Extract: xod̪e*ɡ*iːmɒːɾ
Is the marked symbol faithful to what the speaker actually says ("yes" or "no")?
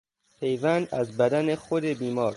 no